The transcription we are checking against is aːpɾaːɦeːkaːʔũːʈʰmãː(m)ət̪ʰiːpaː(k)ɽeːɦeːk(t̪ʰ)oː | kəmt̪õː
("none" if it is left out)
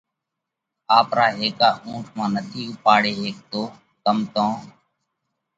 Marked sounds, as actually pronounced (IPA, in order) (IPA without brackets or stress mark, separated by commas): n, none, t̪